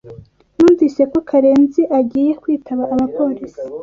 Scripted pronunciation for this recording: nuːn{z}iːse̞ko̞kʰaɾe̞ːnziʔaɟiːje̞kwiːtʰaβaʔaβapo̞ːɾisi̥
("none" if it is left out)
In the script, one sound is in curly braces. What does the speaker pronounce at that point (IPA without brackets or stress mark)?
v